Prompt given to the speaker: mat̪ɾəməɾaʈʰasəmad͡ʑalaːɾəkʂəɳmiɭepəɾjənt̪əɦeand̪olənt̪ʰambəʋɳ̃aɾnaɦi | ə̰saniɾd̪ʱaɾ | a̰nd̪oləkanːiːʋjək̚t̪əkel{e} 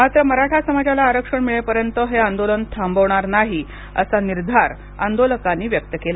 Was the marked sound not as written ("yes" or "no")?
yes